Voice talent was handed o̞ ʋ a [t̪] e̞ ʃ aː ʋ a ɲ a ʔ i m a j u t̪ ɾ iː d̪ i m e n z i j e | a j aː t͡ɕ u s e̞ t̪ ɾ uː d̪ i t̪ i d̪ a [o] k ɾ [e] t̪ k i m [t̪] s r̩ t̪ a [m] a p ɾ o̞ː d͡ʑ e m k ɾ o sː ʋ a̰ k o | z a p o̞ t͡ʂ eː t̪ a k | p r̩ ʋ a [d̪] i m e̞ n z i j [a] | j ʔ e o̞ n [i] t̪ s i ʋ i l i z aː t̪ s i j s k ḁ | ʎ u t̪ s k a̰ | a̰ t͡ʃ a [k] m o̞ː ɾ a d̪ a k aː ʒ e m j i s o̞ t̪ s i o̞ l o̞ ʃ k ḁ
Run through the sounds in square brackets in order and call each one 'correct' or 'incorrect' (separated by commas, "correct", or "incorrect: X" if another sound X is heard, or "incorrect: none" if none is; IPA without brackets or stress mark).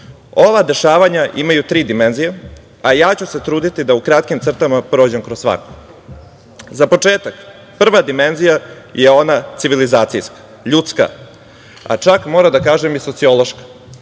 incorrect: d̪, incorrect: u, incorrect: a, correct, correct, correct, correct, incorrect: a, correct